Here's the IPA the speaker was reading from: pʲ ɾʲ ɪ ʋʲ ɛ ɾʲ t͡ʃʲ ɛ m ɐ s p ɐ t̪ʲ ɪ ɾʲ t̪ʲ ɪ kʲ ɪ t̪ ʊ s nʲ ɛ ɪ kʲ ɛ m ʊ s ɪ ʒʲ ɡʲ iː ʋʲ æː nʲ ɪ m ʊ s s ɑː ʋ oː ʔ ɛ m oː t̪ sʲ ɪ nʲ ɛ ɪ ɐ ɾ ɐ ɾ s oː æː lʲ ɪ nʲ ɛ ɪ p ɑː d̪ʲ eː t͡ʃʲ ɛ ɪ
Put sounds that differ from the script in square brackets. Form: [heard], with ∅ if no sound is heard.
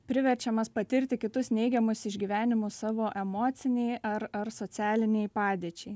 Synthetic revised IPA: pʲ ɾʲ ɪ ʋʲ ɛ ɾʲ t͡ʃʲ ɛ m ɐ s p ɐ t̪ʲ ɪ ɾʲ t̪ʲ ɪ kʲ ɪ t̪ ʊ s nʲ ɛ ɪ [ɡʲ] ɛ m ʊ s ɪ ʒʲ ɡʲ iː ʋʲ æː nʲ ɪ m ʊ s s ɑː ʋ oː ʔ ɛ m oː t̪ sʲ ɪ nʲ ɛ ɪ ɐ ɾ ɐ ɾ s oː æː lʲ ɪ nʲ ɛ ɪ p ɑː d̪ʲ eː t͡ʃʲ ɛ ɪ